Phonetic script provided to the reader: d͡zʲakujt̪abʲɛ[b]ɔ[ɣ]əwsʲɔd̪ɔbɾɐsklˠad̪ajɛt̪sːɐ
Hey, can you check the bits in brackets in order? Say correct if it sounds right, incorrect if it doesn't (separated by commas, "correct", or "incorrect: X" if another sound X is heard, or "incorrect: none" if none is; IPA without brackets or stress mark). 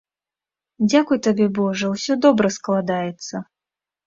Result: correct, incorrect: ʐ